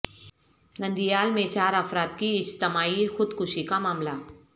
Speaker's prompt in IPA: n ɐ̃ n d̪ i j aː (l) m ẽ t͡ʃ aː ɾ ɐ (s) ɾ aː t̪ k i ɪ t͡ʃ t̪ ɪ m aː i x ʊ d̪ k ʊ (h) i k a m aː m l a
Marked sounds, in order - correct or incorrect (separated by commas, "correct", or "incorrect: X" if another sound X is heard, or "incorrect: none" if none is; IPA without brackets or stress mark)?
correct, incorrect: f, incorrect: ʃ